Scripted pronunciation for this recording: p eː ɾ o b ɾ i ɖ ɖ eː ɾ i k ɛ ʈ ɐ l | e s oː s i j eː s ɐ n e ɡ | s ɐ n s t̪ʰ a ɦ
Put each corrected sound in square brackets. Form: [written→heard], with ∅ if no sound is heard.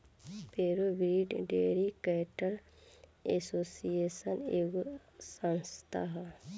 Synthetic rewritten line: p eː ɾ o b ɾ i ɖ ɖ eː ɾ i k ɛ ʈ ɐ l | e s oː s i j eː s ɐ n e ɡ | s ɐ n s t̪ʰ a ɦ